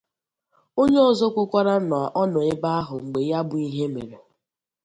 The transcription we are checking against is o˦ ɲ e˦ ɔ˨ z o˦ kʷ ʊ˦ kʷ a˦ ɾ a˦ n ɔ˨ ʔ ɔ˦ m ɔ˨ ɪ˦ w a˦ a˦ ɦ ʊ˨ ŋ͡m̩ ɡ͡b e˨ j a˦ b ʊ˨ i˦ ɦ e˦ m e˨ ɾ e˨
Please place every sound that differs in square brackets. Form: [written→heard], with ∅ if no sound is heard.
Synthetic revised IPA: o˦ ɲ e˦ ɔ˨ z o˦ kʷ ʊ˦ kʷ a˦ ɾ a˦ n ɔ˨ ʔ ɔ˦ [m→n] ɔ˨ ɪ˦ [w→b] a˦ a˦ ɦ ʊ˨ ŋ͡m̩ ɡ͡b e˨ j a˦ b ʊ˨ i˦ ɦ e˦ m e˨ ɾ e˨